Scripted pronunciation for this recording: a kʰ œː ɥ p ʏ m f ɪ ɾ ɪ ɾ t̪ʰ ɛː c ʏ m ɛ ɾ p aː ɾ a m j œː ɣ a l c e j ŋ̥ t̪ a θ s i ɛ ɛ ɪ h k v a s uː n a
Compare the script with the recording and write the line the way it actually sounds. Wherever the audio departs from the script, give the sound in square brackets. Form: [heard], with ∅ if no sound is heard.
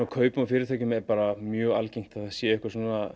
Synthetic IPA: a kʰ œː ɥ p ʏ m f ɪ ɾ ɪ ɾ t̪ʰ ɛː c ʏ m ɛ ɾ p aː ɾ a m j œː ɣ a l c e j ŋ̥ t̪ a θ s [j] ɛ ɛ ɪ h k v a s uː n a

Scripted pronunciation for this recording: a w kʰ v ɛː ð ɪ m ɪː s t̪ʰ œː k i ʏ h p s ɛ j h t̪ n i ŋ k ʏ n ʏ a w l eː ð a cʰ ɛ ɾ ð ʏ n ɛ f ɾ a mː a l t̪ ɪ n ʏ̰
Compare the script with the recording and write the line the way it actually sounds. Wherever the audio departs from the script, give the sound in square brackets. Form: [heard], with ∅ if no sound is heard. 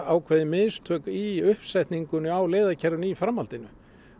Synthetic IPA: a w kʰ v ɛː ð ɪ m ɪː s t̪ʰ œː k i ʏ h p s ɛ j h t̪ n i ŋ k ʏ n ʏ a w l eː ð a cʰ ɛ ɾ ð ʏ n [i] f ɾ a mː a l t̪ ɪ n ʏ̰

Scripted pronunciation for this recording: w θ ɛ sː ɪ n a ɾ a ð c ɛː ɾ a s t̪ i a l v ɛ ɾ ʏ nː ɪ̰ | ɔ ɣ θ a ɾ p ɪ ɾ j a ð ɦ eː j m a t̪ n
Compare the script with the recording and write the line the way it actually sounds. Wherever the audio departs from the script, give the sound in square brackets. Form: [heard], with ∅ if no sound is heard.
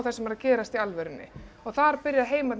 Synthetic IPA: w θ ɛ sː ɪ [m] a ɾ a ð c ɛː ɾ a s t̪ i a l v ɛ ɾ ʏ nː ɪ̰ | ɔ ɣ θ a ɾ p ɪ ɾ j a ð ɦ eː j m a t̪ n

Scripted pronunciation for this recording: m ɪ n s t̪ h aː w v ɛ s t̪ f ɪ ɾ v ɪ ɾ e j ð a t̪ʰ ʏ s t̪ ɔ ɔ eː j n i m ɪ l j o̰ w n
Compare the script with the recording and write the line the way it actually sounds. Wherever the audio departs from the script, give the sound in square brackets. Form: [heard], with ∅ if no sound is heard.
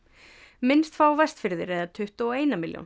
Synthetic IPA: m ɪ n s t̪ [f] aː w v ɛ s t̪ f ɪ ɾ [ð] ɪ ɾ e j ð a t̪ʰ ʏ [h] t̪ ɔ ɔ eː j n [a] m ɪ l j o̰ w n

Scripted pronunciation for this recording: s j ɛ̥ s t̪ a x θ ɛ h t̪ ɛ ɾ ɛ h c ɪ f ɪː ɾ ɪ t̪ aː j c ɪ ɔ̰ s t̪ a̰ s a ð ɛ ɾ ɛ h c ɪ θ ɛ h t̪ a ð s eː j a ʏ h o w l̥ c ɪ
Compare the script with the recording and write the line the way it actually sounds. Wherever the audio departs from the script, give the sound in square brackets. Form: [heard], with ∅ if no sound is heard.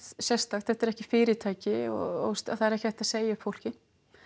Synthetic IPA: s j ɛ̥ s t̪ a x θ ɛ h t̪ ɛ ɾ ɛ h c ɪ f ɪː ɾ ɪ [t̪ʰ] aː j c ɪ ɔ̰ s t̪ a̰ [θ] a ð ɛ ɾ ɛ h c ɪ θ ɛ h t̪ a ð s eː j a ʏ [f] o w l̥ c ɪ

